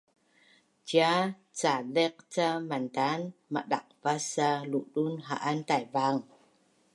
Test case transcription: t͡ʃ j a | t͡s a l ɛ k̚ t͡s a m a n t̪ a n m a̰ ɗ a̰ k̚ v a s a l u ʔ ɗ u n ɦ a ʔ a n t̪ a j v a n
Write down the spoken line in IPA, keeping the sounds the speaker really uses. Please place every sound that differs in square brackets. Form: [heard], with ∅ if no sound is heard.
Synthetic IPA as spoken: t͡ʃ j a | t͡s a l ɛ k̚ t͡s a m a n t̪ a n m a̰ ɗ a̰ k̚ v a s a l u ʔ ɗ u n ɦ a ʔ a n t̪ a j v a [ŋ]